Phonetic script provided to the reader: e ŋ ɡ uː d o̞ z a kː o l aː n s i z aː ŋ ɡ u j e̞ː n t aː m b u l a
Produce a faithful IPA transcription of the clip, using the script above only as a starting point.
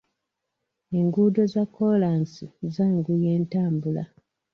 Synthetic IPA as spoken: e ŋ ɡ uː d o̞ z a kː o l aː n s i z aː ŋ ɡ u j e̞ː n t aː m b u l a